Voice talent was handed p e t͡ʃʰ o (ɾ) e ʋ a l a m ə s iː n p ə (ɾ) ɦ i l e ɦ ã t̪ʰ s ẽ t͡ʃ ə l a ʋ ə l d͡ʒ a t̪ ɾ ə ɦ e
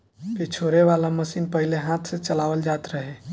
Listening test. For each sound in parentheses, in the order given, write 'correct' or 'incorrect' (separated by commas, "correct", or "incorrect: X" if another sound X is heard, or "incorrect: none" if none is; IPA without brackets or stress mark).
correct, incorrect: none